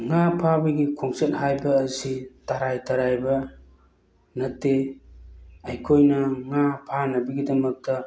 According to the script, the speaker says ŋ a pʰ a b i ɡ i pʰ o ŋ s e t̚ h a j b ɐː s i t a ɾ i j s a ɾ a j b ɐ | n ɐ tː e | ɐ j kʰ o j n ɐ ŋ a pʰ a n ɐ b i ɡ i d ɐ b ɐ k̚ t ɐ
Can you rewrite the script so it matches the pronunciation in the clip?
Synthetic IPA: ŋ a pʰ a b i ɡ i kʰ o ŋ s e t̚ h a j b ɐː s i t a ɾ a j t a ɾ a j b ɐ | n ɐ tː e | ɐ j kʰ o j n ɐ ŋ a pʰ a n ɐ b i ɡ i d ɐ m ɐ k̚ t ɐ